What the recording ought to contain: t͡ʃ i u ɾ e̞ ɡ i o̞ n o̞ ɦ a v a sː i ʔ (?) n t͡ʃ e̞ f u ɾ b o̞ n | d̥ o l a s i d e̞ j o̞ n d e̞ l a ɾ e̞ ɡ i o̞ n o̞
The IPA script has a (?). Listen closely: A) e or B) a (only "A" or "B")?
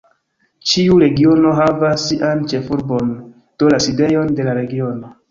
B